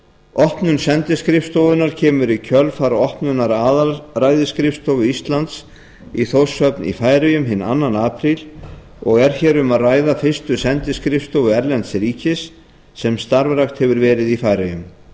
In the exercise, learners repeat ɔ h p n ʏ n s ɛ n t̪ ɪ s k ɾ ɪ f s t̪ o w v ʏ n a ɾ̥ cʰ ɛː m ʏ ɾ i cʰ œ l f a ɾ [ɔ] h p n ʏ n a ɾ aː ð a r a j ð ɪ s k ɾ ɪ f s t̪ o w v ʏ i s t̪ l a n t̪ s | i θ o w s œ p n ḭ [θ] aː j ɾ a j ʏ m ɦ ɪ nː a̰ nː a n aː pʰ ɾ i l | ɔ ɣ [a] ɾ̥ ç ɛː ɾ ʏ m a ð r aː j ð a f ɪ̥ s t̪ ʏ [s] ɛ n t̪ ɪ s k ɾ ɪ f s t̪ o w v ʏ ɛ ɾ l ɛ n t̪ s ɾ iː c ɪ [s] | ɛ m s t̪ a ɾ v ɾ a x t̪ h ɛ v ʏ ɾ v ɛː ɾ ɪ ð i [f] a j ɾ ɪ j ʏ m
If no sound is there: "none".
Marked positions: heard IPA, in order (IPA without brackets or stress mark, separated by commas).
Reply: ɔ, f, ɛ, s, sː, f